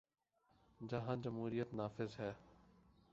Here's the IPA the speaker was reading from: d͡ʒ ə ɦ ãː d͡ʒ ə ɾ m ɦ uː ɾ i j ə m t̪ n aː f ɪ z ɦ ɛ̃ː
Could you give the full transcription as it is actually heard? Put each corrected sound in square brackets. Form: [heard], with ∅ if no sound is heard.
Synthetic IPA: d͡ʒ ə ɦ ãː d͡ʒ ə [∅] m ɦ uː ɾ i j ə [∅] t̪ n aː f ɪ z ɦ [ɛː]